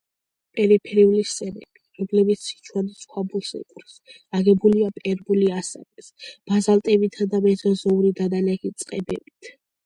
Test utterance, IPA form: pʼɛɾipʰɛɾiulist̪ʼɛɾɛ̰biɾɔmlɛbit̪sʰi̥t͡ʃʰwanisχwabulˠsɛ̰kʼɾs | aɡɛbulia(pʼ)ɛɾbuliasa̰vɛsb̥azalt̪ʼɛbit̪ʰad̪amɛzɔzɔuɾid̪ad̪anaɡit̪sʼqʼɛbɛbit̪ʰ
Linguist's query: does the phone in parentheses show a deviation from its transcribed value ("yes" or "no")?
no